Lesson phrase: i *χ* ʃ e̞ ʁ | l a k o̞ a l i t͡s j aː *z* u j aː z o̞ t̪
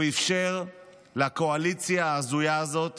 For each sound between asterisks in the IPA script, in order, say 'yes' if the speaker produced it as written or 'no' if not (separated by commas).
no, yes